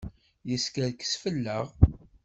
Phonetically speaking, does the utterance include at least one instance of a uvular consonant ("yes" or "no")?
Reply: yes